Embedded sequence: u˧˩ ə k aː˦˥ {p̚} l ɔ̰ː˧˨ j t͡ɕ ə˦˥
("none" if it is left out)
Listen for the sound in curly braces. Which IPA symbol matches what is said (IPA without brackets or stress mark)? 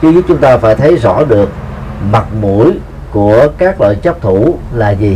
k̚